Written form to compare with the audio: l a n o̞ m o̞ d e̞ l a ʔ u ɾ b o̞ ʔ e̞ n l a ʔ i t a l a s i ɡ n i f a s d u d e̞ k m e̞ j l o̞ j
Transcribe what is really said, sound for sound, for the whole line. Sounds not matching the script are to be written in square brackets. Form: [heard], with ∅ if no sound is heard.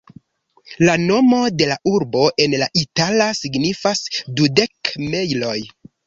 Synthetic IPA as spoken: l a n o̞ m o̞ d e̞ l a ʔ u ɾ b o̞ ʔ e̞ n l a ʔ i t a l a s i ɡ n i f a s d u d e̞ k m e̞ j l o̞ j

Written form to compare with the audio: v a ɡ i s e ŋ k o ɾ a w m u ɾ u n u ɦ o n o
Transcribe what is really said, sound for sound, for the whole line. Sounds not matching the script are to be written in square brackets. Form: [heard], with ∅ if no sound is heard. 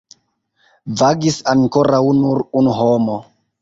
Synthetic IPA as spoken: v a ɡ i s [a] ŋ k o ɾ a w [n] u ɾ u n u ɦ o [m] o

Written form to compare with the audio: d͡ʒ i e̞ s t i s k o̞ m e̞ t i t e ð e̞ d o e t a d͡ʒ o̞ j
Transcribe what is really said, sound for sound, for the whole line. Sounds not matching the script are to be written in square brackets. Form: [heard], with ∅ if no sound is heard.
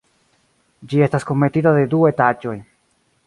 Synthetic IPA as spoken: d͡ʒ i e̞ s t [a] s k o̞ m e̞ t i t [a] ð e̞ d [u] e t a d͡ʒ o̞ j

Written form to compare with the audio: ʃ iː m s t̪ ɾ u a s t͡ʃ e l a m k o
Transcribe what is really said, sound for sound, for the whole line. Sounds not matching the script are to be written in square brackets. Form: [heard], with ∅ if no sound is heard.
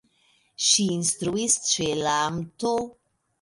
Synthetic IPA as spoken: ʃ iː [n] s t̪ ɾ u [i] s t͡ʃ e l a m [t] o

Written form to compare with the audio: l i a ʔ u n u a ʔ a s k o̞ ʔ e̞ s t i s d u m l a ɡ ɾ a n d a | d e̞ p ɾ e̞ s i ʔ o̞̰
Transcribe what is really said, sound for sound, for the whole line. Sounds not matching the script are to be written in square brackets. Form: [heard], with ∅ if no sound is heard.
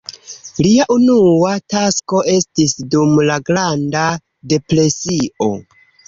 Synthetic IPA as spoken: l i a ʔ u n u a [t] a s k o̞ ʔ e̞ s t i s d u m l a ɡ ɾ a n d a | d e̞ p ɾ e̞ s i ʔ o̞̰

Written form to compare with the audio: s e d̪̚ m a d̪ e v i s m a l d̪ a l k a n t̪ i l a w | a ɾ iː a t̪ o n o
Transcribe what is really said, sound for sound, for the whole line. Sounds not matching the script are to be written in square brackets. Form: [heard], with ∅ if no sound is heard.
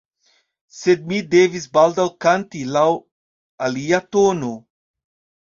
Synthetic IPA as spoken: s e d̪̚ m [i] d̪ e v i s [b] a l d̪ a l k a n t̪ i l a w | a [l] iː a t̪ o n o

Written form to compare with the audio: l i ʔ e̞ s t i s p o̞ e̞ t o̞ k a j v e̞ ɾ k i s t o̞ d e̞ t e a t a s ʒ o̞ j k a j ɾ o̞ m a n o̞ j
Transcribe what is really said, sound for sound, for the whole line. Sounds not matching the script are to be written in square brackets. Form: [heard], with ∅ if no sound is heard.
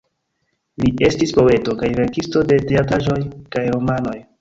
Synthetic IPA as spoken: l i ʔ e̞ s t i s p o̞ e̞ t o̞ k a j v e̞ ɾ k i s t o̞ d e̞ t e a t a [∅] ʒ o̞ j k a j ɾ o̞ m a n o̞ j

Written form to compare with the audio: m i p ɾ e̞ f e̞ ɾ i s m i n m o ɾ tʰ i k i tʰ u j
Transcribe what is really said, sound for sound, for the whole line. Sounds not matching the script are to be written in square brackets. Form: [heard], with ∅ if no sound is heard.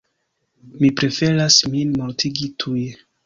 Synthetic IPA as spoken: m i p ɾ e̞ f e̞ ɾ [a] s m i n m o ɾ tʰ i [ɡ] i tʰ u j

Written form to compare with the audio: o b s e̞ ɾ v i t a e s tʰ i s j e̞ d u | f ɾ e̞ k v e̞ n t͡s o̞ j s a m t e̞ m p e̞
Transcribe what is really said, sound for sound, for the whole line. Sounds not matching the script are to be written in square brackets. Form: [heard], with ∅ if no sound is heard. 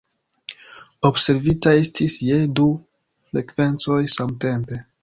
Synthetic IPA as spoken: o b s e̞ ɾ v i t a e s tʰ i s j e̞ d u | f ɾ e̞ k v e̞ n t͡s o̞ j s a m t e̞ m p e̞

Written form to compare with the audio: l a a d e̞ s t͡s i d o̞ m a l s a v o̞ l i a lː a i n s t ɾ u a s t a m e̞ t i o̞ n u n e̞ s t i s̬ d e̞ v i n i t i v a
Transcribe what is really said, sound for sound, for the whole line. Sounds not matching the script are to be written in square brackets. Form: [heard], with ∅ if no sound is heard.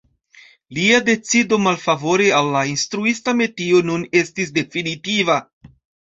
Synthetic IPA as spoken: l [i] a d e̞ [∅] t͡s i d o̞ m a l [f] a v o̞ [ɾ] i a lː a i n s t ɾ u [i] s t a m e̞ t i o̞ n u n e̞ s t i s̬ d e̞ [f] i n i t i v a

